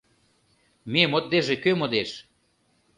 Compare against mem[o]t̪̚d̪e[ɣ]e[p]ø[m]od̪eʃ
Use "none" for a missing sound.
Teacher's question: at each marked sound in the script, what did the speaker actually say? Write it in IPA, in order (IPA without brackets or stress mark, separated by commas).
o, ʒ, k, m